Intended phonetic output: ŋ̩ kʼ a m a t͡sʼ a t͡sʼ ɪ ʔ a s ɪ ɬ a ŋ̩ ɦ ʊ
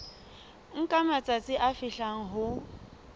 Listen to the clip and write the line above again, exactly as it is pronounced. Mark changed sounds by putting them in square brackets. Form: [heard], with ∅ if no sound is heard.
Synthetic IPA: ŋ̩ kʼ a m a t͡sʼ a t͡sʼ ɪ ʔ a [f] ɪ ɬ a ŋ̩ ɦ ʊ